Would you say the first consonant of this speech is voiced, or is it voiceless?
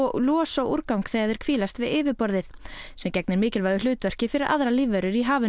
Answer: voiced